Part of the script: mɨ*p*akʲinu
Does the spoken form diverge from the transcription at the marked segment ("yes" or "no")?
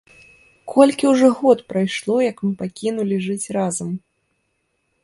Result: no